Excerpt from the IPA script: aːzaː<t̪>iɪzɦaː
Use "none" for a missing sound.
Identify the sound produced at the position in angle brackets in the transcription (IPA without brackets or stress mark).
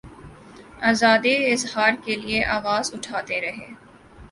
d̪